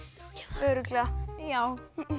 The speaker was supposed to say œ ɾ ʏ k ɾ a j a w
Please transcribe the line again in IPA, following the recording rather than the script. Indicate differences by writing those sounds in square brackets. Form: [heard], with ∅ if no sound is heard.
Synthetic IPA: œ ɾ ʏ k [l] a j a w